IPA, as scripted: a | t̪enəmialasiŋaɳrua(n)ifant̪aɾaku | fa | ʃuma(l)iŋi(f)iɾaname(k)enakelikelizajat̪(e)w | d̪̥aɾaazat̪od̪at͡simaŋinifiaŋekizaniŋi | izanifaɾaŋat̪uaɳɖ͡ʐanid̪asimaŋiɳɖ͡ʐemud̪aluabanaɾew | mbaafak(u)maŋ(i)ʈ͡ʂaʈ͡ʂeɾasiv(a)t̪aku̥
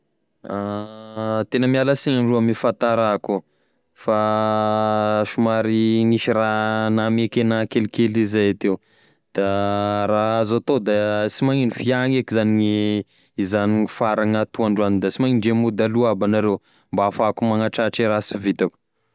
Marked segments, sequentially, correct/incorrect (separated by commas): incorrect, incorrect, incorrect, correct, correct, correct, incorrect, incorrect